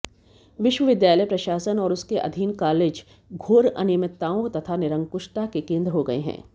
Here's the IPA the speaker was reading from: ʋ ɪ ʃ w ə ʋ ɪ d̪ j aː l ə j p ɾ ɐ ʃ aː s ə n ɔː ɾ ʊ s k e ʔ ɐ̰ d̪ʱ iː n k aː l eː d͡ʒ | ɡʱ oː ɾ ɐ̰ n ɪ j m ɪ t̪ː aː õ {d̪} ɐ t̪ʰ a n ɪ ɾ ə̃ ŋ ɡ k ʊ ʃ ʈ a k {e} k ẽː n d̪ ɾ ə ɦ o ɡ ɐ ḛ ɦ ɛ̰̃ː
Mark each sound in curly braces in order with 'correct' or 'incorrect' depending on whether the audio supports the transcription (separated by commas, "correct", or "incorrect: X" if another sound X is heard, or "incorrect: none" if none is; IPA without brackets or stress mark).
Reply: incorrect: t̪, correct